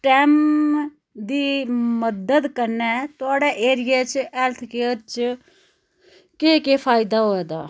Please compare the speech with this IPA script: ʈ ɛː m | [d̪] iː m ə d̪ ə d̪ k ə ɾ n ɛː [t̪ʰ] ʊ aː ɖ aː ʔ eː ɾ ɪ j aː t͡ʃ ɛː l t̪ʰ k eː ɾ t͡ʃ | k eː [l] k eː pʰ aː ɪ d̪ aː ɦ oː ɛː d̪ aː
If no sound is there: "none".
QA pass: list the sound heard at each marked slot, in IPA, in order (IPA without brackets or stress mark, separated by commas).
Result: d̪, t̪, none